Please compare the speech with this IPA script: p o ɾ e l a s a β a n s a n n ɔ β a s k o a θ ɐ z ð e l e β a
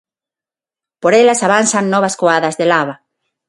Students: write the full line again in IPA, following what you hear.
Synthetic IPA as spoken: p o ɾ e l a s a β a n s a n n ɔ β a s k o a ð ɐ z ð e l a β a